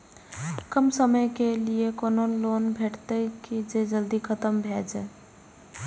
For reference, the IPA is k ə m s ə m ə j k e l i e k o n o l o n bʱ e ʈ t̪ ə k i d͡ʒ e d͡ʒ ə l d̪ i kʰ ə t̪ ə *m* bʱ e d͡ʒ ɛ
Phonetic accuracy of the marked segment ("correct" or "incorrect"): correct